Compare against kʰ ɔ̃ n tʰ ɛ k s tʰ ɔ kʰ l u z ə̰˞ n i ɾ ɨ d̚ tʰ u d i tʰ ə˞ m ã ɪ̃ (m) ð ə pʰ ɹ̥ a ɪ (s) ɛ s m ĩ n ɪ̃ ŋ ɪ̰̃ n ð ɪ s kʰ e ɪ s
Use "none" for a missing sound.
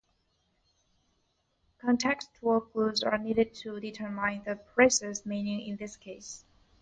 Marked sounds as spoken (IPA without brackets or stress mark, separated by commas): n, s